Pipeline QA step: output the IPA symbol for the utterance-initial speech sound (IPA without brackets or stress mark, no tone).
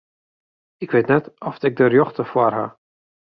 ɪ